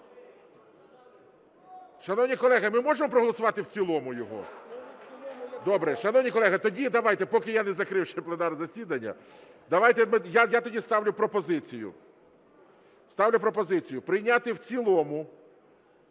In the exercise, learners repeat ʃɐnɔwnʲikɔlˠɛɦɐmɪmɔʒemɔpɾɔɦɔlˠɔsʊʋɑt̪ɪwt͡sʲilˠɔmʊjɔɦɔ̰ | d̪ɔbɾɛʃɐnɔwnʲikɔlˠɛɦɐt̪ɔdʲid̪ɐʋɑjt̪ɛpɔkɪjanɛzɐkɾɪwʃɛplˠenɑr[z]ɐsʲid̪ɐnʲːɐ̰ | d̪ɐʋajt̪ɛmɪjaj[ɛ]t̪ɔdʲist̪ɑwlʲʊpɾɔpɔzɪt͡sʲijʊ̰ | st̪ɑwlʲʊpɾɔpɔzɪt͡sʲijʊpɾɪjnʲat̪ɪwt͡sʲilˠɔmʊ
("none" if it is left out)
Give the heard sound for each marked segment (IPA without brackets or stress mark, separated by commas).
z, a